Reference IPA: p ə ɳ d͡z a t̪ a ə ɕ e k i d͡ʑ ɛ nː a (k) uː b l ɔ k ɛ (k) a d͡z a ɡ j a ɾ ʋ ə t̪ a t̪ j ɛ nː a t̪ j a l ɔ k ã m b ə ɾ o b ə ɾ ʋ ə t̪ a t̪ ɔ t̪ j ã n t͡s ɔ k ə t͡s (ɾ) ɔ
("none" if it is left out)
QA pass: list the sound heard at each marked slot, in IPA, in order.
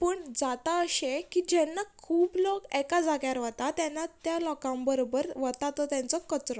kʰ, k, ɾ

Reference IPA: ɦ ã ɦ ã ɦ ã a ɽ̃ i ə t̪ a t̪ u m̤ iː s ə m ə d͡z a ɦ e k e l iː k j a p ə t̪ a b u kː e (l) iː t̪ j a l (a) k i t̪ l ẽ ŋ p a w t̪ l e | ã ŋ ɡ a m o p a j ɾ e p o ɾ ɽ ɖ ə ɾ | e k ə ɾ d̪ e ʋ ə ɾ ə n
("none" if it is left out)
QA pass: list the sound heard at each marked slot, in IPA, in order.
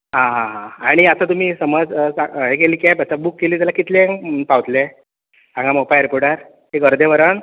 l, a

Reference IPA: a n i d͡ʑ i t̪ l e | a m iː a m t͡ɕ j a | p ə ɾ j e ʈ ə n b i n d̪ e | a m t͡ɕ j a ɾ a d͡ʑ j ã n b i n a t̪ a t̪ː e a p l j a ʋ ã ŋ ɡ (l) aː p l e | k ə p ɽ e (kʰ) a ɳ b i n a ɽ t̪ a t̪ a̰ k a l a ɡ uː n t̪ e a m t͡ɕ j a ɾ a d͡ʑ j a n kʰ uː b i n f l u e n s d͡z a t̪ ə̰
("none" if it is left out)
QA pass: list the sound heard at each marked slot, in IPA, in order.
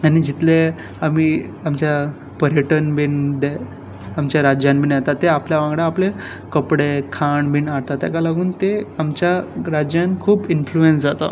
ɽ, kʰ

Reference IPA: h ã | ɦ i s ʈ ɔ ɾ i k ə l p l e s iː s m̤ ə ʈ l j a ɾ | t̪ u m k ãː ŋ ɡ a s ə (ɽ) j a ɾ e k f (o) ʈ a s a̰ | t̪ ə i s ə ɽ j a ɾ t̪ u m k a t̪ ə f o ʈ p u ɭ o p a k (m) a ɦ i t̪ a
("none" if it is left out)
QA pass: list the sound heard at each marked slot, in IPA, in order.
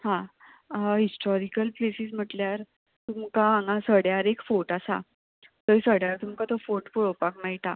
ɽ, o, m

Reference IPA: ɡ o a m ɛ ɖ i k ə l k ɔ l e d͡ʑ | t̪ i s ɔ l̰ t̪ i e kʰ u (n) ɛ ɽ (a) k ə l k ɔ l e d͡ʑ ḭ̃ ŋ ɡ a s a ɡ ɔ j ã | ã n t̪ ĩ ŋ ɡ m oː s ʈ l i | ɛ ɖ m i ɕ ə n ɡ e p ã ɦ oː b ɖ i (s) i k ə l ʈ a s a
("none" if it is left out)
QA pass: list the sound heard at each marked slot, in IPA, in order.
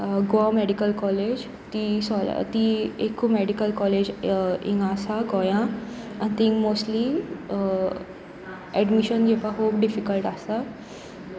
m, i, f

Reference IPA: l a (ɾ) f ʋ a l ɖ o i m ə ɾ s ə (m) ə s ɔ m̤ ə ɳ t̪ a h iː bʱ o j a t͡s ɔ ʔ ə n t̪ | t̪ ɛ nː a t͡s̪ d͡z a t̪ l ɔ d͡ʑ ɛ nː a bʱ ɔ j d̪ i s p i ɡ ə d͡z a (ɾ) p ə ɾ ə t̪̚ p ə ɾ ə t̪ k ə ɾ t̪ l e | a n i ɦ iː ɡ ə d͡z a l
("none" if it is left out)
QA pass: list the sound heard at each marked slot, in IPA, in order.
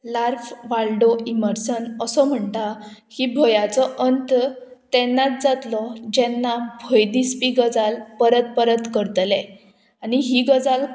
ɾ, n, l

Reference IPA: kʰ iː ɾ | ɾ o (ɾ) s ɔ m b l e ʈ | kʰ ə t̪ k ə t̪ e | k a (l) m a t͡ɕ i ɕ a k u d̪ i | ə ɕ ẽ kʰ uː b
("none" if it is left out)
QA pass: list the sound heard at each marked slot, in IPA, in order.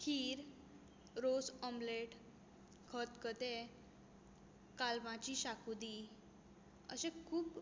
none, l

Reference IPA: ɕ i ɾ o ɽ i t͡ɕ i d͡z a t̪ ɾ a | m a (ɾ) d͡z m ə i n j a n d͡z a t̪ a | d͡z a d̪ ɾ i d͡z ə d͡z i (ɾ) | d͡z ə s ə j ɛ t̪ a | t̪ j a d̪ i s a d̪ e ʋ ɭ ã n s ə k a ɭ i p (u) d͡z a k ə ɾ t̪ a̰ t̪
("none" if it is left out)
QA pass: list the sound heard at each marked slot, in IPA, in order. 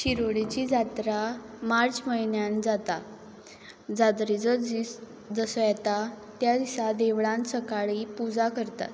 ɾ, none, u

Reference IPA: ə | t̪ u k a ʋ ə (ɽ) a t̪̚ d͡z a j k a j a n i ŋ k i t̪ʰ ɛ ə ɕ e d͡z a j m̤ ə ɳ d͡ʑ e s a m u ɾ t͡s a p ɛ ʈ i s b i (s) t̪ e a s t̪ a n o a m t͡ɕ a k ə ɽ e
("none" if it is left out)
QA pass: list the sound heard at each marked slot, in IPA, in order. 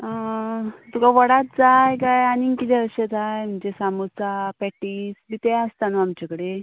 ɽ, none

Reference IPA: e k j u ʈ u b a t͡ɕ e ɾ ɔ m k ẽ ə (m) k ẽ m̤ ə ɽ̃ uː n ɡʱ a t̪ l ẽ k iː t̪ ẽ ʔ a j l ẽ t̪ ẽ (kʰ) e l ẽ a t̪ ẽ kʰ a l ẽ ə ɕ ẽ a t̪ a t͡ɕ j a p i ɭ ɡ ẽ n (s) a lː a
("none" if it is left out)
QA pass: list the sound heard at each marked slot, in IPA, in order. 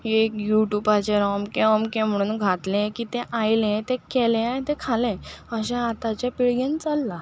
m, k, t͡s

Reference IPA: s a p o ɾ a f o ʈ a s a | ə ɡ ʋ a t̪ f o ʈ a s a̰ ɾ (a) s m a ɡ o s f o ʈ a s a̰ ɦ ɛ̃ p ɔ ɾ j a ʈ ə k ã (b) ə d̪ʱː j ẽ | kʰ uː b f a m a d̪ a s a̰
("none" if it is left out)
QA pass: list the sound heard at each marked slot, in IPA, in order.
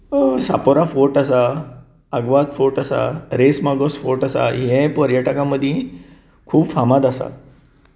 e, m

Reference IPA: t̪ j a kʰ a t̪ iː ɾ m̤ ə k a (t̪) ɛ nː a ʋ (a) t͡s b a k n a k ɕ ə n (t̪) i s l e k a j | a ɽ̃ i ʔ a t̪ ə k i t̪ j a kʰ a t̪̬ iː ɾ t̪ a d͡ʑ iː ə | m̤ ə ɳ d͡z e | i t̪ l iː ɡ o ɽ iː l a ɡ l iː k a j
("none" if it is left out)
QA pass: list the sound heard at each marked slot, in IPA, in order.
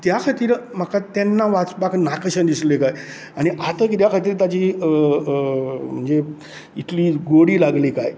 t̪, a, d̪

